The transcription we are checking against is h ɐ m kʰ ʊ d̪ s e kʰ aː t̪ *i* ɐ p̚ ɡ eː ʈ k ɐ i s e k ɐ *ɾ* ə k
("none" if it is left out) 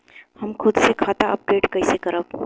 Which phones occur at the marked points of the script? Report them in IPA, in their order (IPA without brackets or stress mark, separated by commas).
a, ɾ